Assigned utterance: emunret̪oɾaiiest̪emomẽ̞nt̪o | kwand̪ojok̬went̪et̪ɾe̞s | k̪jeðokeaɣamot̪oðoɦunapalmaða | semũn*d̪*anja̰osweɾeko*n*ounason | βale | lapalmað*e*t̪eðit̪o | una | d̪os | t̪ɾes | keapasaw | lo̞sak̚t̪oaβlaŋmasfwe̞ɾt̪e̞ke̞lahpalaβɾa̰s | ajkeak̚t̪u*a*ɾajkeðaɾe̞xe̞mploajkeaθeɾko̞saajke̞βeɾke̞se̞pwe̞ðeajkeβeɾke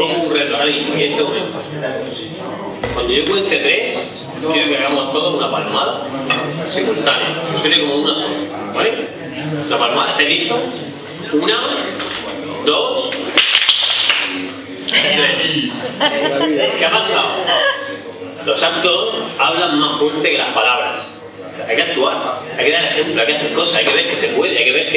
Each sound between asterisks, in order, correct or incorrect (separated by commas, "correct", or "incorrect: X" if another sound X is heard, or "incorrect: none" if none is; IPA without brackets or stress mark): incorrect: t̪, incorrect: m, incorrect: a, correct